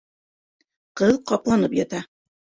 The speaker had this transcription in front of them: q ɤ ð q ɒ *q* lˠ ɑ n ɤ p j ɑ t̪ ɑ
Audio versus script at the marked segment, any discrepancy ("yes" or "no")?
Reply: yes